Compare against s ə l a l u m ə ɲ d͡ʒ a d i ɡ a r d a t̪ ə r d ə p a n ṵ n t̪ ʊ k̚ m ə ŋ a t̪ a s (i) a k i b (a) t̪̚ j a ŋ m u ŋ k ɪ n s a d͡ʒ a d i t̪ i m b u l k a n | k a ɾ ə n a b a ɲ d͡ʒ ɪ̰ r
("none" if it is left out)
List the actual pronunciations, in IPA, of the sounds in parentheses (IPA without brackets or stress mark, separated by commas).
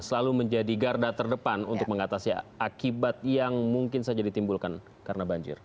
i, a